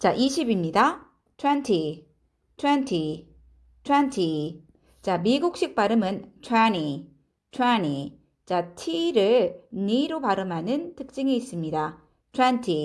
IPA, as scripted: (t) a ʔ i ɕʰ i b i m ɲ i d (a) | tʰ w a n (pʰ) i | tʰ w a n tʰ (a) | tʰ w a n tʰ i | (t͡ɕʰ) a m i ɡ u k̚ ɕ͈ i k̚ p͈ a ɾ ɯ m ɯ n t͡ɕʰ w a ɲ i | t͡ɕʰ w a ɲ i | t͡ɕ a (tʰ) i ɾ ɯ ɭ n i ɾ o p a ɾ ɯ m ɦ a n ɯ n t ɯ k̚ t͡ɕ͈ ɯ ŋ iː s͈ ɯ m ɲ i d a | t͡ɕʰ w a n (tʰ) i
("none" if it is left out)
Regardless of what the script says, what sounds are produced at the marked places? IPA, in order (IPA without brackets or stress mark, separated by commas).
t͡ɕ, a, tʰ, i, t͡ɕ, tʰ, tʰ